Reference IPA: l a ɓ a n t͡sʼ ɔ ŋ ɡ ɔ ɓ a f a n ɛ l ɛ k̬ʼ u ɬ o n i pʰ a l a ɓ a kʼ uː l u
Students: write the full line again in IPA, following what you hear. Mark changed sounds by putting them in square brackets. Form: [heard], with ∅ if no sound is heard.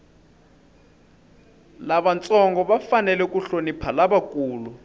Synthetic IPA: l a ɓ a n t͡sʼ ɔ ŋ ɡ ɔ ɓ a f a n ɛ l ɛ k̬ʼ u ɬ o n i pʰ a l a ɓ a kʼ uː l u

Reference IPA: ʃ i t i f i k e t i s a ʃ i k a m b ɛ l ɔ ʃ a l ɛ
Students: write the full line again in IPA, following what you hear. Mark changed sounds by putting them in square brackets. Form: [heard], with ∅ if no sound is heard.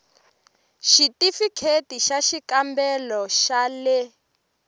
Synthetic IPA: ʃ i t i f i [kʰ] e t i [ʃ] a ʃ i k a m b ɛ l ɔ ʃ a l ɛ

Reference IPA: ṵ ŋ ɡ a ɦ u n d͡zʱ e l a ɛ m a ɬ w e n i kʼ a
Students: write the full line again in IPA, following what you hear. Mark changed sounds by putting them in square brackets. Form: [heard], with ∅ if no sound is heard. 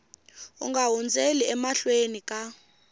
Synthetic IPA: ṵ ŋ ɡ a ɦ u n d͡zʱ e l [i] ɛ m a ɬ w e n i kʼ a

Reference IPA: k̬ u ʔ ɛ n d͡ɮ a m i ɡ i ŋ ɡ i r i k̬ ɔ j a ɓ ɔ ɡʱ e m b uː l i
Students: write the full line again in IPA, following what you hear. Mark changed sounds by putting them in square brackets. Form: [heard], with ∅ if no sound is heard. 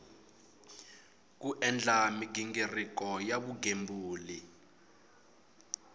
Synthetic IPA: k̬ u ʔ ɛ n d͡ɮ a m i ɡ i ŋ ɡ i r i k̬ ɔ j a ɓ [u] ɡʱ e m b uː l i

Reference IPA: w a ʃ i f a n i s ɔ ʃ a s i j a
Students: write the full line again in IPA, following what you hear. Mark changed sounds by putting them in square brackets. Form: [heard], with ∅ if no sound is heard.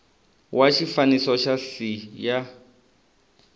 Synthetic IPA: w a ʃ i f a n i s ɔ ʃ a s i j a

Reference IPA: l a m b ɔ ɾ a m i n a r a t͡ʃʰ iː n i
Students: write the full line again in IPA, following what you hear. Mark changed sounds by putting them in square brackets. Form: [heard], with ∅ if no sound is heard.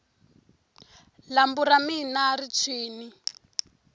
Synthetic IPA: l a m b [u] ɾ a m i n a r [i] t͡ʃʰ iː n i

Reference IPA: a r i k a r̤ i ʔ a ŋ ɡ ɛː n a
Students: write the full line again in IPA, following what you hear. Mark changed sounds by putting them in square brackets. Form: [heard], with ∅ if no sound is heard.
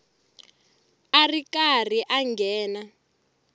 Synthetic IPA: a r i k a r̤ i ʔ a ŋ ɡ ɛː n a

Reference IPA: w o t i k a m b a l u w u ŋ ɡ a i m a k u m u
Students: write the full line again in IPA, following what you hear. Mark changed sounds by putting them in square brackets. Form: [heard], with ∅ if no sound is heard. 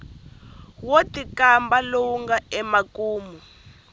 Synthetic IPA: w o t i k a m b a l [o] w u ŋ ɡ a [ɛ] m a k [uː] m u

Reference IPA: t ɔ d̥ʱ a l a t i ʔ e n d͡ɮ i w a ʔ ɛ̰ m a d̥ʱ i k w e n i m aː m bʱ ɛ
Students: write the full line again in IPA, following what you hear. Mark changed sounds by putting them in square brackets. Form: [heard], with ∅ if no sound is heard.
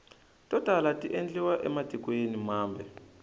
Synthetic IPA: t ɔ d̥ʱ a l a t i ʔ e n d͡ɮ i w a ʔ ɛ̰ m a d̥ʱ i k w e n i m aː m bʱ ɛ

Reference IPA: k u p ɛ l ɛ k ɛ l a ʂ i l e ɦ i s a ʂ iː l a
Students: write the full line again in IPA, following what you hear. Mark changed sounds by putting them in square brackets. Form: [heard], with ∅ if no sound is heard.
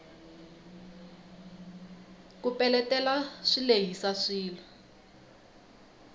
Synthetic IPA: k u p ɛ l ɛ [t] ɛ l a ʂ i l e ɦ i s a ʂ iː l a

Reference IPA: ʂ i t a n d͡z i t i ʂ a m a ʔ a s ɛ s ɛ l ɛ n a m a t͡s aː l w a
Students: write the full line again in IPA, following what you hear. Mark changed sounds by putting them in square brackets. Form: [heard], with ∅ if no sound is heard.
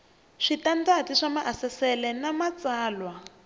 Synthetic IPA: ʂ i t a n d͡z [a] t i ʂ a m a ʔ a s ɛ s ɛ l ɛ n a m a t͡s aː l w a

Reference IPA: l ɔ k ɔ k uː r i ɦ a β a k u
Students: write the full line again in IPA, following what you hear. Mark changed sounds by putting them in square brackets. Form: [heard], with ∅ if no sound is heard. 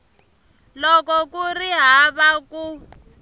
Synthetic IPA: l ɔ k ɔ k [u] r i ɦ a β a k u

